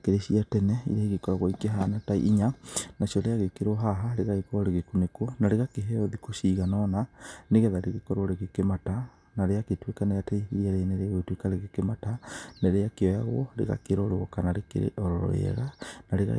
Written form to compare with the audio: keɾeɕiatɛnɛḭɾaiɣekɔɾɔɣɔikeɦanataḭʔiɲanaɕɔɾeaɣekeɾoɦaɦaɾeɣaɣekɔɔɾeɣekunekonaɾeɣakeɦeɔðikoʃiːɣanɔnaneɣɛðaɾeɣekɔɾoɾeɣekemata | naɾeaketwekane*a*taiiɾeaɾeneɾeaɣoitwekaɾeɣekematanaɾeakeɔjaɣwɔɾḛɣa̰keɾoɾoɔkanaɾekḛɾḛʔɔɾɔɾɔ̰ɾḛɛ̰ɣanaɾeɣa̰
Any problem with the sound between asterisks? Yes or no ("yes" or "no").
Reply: no